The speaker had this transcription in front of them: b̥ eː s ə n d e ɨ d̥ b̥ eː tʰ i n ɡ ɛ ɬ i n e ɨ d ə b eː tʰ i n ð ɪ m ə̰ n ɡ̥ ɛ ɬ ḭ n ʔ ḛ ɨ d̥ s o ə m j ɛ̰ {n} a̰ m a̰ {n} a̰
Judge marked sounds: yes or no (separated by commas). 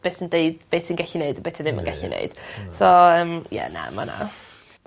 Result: yes, yes